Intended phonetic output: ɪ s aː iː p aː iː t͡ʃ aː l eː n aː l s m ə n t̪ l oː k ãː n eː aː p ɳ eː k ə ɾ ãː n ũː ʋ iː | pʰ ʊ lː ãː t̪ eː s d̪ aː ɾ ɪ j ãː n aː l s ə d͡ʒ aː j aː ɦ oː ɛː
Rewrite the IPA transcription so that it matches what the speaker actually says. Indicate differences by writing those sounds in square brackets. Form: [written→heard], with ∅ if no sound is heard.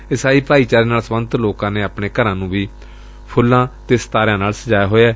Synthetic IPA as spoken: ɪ s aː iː p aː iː t͡ʃ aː [l→ɾ] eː n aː l s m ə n t̪ l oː k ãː n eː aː p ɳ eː k ə ɾ ãː n ũː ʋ iː | pʰ ʊ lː ãː t̪ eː s [d̪→t̪] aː ɾ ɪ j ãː n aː l s ə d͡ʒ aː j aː ɦ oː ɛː